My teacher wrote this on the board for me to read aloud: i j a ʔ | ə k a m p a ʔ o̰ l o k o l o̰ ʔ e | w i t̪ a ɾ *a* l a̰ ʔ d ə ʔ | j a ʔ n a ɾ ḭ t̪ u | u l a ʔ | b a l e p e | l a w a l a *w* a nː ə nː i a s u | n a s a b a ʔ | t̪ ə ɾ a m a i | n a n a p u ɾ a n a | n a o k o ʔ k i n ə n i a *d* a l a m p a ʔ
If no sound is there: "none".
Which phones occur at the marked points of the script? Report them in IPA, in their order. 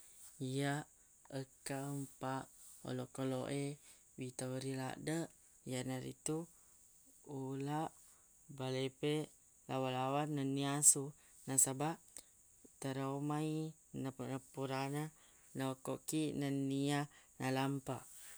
i, w, n

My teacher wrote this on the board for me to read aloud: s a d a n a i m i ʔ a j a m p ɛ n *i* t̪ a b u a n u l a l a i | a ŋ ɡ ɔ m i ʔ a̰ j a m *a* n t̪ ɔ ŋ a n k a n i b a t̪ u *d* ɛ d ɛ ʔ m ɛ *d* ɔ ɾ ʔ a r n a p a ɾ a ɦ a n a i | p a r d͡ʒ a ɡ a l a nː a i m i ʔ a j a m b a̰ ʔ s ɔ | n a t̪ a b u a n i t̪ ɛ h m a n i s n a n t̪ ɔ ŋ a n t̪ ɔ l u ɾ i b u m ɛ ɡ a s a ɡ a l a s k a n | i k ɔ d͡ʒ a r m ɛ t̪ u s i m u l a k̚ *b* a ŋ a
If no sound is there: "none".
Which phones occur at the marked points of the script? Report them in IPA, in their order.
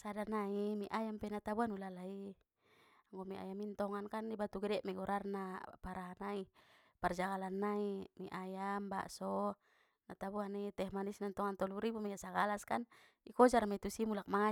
a, i, ɡ, ɡ, m

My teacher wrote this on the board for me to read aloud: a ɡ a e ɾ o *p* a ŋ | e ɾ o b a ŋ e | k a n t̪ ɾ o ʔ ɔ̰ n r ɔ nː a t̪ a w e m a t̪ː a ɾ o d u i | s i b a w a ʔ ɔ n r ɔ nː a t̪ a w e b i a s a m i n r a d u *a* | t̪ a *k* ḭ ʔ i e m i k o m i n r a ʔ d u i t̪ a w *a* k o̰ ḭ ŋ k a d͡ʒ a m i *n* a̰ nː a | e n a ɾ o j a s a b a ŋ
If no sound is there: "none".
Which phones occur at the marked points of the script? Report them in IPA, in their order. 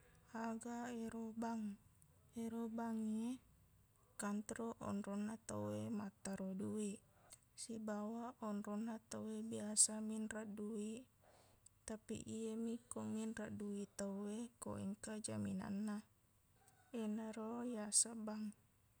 b, i, p, e, n

